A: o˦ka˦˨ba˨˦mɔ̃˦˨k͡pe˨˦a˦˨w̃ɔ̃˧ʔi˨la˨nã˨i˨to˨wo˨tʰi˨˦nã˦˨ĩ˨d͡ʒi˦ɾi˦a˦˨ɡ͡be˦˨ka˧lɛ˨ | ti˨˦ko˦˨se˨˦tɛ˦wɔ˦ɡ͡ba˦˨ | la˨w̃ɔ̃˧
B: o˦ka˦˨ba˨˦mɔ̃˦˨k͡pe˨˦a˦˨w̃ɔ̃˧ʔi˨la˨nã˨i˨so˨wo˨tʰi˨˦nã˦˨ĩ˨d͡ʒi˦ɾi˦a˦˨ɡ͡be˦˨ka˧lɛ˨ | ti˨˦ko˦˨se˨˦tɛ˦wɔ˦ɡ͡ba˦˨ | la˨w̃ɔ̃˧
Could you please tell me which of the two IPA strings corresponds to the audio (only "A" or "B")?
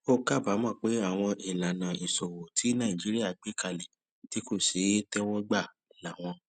B